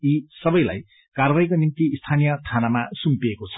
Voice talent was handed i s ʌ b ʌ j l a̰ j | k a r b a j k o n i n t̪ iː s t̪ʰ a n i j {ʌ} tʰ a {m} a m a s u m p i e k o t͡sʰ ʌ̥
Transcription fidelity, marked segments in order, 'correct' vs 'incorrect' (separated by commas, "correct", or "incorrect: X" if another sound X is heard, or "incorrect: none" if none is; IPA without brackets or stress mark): correct, incorrect: n